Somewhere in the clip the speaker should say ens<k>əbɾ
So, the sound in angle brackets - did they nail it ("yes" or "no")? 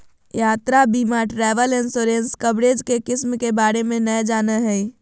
yes